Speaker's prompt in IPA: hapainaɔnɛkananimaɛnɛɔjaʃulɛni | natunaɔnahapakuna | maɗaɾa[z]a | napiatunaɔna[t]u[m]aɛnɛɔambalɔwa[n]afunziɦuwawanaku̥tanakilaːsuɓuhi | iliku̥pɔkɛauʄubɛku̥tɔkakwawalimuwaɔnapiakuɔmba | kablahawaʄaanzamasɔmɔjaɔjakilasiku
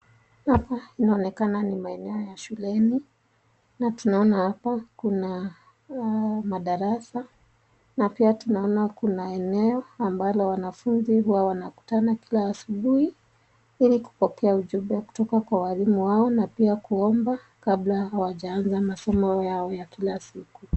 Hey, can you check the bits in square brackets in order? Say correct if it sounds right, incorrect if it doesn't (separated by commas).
incorrect, incorrect, incorrect, correct